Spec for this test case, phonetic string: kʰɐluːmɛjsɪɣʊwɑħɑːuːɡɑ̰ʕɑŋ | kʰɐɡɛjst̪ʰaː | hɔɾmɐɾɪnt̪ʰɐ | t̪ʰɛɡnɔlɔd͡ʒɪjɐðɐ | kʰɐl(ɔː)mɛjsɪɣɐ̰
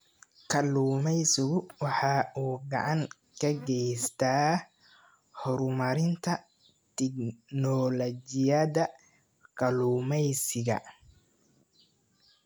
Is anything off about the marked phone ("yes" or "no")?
yes